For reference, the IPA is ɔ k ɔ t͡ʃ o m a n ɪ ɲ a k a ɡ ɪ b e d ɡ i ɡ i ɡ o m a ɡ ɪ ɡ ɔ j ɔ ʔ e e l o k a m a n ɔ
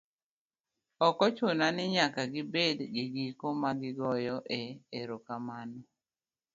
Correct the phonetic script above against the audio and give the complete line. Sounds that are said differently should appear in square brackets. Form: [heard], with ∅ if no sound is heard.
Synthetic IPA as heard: ɔ k ɔ t͡ʃ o [n] a n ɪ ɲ a k a ɡ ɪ b e d ɡ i ɡ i [k] o m a ɡ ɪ ɡ ɔ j ɔ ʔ e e [ɾ] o k a m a n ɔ

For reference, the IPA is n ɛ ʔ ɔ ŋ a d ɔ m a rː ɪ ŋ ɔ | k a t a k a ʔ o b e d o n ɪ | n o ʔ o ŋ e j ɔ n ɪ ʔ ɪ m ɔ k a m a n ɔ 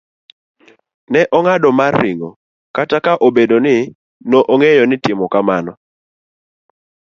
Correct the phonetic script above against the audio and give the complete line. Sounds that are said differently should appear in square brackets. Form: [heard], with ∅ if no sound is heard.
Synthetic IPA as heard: n ɛ ʔ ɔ ŋ a d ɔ m a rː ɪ ŋ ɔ | k a t a k a ʔ o b e d o n ɪ | n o ʔ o ŋ e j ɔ n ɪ [t] ɪ m ɔ k a m a n ɔ

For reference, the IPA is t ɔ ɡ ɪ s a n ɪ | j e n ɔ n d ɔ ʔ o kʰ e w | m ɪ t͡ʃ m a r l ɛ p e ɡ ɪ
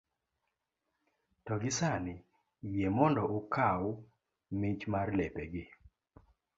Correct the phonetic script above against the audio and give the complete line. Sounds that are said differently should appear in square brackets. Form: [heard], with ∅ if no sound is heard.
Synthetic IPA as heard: t ɔ ɡ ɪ s a n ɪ | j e [m] ɔ n d ɔ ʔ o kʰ [a] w | m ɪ t͡ʃ m a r l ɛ p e ɡ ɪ

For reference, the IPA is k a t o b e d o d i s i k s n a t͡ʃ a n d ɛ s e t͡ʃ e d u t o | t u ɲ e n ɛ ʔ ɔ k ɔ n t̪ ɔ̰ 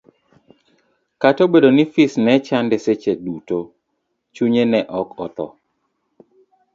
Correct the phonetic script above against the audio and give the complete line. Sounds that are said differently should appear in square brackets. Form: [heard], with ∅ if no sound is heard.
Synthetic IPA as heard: k a t o b e d o [n] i [f] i [∅] s n [ɛ] t͡ʃ a n d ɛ s e t͡ʃ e d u t o | [t͡ʃ] u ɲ e n ɛ ʔ ɔ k ɔ [∅] t̪ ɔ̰

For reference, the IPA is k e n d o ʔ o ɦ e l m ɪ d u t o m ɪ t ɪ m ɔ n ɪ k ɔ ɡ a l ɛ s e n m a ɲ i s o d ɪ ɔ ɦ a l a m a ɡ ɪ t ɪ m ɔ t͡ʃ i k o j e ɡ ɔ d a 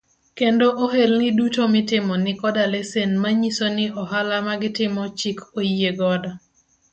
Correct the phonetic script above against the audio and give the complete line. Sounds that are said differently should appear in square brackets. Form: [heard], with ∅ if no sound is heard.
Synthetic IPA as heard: k e n d o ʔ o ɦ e l [n] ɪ d u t o m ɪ t ɪ m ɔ n ɪ k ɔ [d] a l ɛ s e n m a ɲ i s o [n] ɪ ɔ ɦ a l a m a ɡ ɪ t ɪ m ɔ t͡ʃ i k o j e ɡ ɔ d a

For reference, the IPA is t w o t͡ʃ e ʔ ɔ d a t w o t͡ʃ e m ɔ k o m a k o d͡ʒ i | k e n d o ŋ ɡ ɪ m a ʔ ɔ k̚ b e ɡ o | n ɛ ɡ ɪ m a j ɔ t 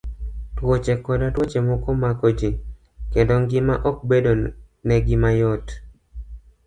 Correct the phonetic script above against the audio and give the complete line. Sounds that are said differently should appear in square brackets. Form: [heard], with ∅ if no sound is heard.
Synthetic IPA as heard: t w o t͡ʃ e [k] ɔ d a t w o t͡ʃ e m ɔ k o m a k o d͡ʒ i | k e n d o ŋ ɡ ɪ m a ʔ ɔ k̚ b e [d] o | n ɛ ɡ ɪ m a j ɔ t

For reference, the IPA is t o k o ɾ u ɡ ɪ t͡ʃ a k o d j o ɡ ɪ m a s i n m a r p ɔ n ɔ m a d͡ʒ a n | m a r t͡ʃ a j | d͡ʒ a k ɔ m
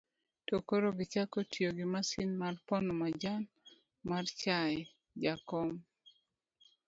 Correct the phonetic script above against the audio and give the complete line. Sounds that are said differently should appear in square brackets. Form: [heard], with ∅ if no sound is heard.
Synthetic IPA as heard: t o k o ɾ [o] ɡ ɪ t͡ʃ a k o [t] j o ɡ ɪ m a s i n m a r p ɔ n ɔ m a d͡ʒ a n | m a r t͡ʃ a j | d͡ʒ a k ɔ m

